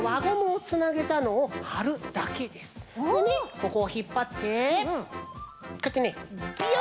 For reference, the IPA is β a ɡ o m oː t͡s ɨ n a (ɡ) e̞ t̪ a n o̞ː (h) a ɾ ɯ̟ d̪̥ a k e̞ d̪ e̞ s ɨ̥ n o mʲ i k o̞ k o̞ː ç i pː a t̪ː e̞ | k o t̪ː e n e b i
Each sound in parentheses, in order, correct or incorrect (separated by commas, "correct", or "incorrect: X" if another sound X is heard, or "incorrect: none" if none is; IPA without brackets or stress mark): correct, correct